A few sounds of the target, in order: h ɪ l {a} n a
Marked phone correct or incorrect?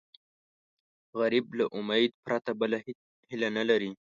correct